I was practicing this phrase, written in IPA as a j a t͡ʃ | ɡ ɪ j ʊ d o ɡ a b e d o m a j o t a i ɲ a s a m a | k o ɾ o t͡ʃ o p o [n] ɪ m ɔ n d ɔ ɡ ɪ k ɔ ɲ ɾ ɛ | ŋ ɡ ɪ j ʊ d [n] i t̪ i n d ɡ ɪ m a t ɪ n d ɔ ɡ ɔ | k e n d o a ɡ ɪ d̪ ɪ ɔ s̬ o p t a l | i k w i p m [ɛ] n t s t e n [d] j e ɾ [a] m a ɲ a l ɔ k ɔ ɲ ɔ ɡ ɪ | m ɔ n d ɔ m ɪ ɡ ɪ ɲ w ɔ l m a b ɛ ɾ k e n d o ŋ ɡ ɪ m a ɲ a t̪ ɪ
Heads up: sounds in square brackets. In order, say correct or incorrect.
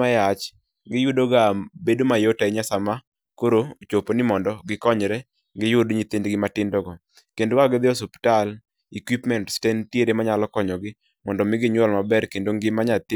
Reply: correct, incorrect, correct, incorrect, incorrect

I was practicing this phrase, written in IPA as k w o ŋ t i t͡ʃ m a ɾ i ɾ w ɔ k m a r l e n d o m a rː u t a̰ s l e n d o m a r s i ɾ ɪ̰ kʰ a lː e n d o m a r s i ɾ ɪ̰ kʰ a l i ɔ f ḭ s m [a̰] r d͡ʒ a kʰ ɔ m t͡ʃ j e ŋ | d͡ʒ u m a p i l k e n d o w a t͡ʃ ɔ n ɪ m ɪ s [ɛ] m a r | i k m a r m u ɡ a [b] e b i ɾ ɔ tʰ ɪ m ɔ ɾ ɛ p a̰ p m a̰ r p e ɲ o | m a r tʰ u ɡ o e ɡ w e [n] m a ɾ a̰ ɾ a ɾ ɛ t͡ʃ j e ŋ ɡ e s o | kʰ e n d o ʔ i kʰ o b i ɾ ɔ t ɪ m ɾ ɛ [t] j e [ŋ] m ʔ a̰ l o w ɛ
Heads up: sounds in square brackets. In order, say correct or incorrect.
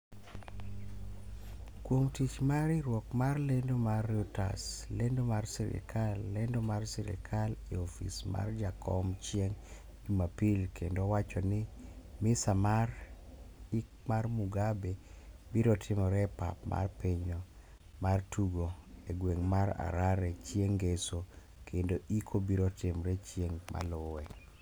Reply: correct, incorrect, correct, incorrect, incorrect, correct

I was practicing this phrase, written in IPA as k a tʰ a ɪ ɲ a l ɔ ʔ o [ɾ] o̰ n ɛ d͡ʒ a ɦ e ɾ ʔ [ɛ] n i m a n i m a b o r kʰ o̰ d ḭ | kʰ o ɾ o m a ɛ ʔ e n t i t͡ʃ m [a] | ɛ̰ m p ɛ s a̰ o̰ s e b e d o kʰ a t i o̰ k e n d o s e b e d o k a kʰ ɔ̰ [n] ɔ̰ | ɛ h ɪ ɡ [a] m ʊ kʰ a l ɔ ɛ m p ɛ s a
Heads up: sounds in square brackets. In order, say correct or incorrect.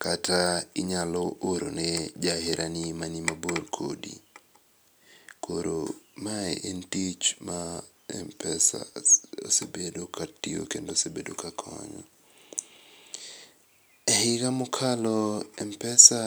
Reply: correct, incorrect, correct, incorrect, correct

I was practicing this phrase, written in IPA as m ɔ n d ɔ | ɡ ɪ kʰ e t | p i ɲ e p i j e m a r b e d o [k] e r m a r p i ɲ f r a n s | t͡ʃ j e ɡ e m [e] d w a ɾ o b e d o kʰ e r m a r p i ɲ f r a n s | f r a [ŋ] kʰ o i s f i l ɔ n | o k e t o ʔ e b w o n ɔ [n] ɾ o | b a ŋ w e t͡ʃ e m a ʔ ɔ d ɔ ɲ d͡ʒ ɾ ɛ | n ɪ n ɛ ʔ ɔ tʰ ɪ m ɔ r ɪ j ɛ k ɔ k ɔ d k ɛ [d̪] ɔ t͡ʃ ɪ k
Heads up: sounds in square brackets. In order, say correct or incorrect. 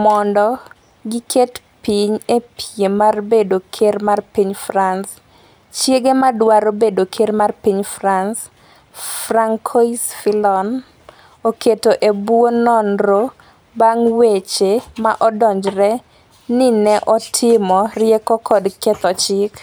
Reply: incorrect, incorrect, correct, correct, incorrect

